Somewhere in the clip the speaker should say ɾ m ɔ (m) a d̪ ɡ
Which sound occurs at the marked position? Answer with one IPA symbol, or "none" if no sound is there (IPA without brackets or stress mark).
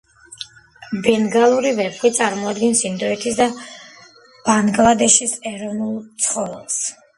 none